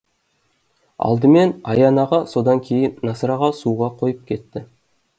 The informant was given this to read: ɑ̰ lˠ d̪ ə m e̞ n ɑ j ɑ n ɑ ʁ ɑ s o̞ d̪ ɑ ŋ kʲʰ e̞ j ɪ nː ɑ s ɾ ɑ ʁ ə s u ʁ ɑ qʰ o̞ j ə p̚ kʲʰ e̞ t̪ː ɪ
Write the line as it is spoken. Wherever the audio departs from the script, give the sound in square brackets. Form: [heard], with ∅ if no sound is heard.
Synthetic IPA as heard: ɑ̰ lˠ d̪ ə m e̞ n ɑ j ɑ n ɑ ʁ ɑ s o̞ d̪ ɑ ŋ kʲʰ e̞ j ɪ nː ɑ s ɾ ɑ ʁ [ɑ] s u ʁ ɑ qʰ o̞ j ə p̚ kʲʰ e̞ t̪ː ɪ